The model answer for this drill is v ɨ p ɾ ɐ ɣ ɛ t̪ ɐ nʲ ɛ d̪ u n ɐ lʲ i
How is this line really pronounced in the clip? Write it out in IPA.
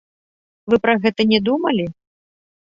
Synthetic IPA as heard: v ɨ p ɾ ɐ ɣ ɛ t̪ ɐ nʲ ɛ d̪ u m ɐ lʲ i